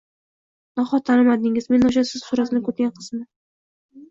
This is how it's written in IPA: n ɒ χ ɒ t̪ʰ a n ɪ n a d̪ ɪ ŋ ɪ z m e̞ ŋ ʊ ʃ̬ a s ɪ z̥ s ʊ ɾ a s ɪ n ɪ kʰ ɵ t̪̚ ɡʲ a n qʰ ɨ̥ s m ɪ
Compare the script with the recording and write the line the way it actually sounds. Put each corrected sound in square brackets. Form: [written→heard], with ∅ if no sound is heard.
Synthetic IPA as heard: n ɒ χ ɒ t̪ʰ a n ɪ [n→m] a d̪ ɪ ŋ ɪ z m e̞ [ŋ→n] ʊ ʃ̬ a s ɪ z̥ s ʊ ɾ a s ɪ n ɪ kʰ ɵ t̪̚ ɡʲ a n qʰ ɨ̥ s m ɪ